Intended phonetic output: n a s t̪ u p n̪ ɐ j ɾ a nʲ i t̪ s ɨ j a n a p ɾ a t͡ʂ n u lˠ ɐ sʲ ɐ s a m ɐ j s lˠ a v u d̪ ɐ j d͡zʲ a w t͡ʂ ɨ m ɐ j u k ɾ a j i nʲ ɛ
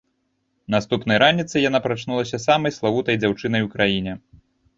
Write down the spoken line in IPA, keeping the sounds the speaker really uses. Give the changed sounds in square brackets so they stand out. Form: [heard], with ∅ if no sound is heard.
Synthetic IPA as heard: n a s t̪ u p n̪ ɐ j ɾ a nʲ i t̪ s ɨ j a n a p ɾ a t͡ʂ n u lˠ ɐ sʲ ɐ s a m ɐ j s lˠ a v u [t̪] ɐ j d͡zʲ a w t͡ʂ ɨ [n] ɐ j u k ɾ a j i nʲ ɛ